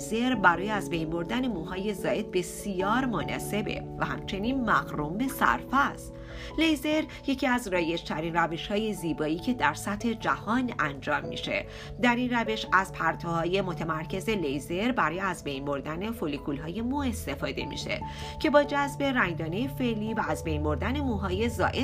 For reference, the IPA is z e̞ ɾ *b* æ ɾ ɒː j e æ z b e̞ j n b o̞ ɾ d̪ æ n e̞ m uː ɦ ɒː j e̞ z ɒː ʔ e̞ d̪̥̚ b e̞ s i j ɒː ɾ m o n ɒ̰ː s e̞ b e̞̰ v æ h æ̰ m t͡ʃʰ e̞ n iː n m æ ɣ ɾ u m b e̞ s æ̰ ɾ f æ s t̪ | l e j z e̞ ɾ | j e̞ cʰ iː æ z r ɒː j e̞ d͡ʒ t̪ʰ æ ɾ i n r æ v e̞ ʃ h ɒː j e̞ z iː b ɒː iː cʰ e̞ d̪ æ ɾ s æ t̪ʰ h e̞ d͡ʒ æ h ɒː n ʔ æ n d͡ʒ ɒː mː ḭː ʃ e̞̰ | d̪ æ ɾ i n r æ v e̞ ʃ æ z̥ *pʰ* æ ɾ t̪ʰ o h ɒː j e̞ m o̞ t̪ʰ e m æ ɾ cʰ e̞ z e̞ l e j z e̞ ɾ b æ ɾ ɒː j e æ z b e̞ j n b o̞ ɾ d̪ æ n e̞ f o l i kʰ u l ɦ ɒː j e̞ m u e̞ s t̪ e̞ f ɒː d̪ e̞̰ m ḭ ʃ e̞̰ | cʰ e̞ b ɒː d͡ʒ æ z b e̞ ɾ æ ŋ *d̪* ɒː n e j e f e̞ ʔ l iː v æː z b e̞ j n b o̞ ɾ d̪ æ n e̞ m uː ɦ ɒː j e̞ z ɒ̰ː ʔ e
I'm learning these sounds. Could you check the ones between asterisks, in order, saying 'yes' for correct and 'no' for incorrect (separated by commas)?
yes, yes, yes